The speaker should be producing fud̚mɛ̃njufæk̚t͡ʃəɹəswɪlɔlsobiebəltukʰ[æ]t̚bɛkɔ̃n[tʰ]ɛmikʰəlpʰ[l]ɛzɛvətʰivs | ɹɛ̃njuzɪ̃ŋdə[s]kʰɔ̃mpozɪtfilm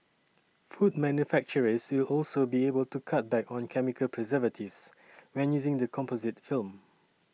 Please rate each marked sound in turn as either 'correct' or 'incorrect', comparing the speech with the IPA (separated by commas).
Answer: incorrect, incorrect, incorrect, incorrect